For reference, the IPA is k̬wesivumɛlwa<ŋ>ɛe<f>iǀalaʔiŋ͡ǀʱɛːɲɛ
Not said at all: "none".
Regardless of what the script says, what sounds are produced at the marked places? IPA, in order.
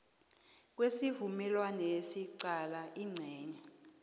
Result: n, s

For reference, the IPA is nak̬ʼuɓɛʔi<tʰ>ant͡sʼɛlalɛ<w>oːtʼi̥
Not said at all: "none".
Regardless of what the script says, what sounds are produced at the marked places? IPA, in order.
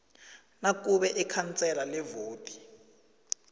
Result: kʰ, v

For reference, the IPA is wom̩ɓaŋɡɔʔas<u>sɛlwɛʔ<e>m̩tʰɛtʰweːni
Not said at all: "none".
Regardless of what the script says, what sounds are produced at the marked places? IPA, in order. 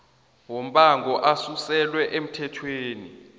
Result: u, e

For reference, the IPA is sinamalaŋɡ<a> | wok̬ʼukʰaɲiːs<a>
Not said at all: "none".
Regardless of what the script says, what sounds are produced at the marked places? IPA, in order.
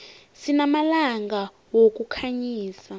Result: a, a

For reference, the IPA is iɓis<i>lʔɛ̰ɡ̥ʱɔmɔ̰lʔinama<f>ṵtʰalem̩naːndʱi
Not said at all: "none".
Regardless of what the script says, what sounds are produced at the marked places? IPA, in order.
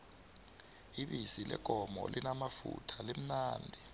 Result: i, f

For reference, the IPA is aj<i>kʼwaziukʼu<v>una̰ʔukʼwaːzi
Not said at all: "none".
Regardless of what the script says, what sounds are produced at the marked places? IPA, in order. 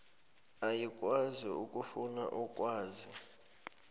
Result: i, f

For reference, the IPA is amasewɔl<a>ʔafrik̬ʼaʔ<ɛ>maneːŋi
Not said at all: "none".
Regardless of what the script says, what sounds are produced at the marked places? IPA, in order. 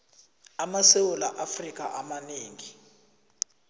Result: a, a

